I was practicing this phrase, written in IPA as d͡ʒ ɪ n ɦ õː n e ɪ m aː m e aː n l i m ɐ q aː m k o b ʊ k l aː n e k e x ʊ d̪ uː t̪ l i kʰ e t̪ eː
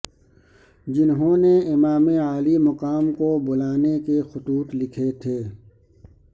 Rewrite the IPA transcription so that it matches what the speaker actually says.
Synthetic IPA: d͡ʒ ɪ n ɦ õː n e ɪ m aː m e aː l i m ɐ q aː m k o b ʊ l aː n e k e x ʊ t̪ uː t̪ l ɪ kʰ e t̪ʰ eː